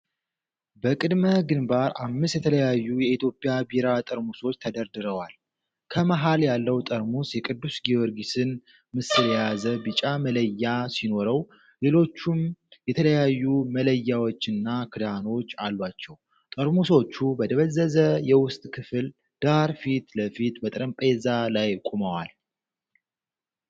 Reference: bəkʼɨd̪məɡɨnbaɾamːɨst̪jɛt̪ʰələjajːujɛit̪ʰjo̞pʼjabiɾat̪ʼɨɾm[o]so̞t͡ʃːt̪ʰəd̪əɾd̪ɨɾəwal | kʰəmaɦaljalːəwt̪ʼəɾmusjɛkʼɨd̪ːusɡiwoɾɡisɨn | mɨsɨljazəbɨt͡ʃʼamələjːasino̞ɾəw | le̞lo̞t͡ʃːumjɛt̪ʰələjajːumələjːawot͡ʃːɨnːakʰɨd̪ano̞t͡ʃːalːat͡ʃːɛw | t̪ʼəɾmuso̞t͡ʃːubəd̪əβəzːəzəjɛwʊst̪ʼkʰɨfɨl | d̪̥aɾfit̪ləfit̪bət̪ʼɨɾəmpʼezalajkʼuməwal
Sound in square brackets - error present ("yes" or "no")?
yes